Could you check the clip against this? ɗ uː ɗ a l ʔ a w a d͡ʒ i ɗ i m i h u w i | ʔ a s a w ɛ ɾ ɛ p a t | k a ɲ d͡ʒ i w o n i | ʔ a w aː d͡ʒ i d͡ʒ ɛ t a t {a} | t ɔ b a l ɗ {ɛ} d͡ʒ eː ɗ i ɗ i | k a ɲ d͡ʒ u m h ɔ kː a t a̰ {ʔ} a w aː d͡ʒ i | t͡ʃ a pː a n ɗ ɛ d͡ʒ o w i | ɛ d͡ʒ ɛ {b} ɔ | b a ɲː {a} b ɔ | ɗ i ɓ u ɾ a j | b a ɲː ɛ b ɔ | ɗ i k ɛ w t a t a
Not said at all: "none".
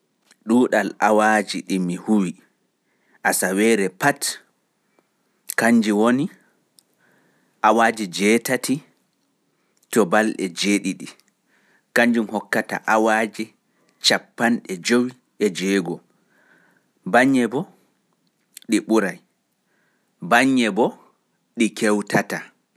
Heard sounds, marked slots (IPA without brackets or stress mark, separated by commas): i, ɛ, ʔ, ɡ, ɛ